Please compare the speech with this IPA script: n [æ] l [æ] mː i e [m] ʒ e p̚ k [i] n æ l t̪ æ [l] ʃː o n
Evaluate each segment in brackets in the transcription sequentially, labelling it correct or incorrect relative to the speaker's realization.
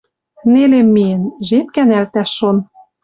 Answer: incorrect: e, incorrect: e, incorrect: n, incorrect: æ, incorrect: none

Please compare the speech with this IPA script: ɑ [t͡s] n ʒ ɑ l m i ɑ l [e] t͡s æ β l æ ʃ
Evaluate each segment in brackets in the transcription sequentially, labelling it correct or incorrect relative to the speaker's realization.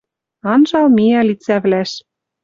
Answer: incorrect: none, incorrect: i

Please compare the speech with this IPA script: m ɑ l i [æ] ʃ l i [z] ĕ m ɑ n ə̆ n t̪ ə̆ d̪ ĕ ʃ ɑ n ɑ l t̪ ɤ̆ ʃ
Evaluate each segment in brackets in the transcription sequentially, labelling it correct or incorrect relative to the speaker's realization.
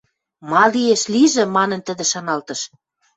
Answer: incorrect: e, incorrect: ʒ

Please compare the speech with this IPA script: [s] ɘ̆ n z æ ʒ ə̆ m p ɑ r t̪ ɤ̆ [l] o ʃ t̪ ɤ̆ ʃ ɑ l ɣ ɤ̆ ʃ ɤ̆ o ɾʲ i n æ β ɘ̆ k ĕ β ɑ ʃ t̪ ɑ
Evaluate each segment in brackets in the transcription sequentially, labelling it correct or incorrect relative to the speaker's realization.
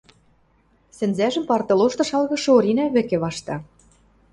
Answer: correct, correct

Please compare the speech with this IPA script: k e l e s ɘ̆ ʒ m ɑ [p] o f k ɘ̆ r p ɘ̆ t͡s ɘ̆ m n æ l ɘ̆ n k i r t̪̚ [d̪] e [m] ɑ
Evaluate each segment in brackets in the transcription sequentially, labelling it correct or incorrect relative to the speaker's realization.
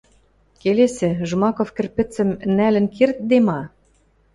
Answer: incorrect: k, correct, correct

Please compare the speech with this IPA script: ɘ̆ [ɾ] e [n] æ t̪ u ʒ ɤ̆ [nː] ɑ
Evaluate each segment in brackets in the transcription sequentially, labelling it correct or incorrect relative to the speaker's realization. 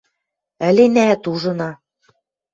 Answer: incorrect: l, correct, incorrect: n

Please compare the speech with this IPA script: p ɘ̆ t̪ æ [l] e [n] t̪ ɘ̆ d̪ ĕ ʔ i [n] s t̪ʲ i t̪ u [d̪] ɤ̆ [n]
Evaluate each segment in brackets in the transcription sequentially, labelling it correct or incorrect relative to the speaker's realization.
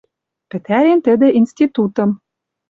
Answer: incorrect: ɾ, correct, correct, incorrect: t̪, incorrect: m

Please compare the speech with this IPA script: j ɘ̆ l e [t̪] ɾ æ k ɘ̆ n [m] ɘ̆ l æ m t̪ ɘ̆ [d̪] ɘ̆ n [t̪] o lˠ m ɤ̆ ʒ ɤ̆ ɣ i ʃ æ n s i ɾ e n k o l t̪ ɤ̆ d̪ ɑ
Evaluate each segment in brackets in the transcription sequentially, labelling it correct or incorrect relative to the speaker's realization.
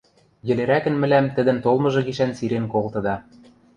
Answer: incorrect: none, correct, correct, correct

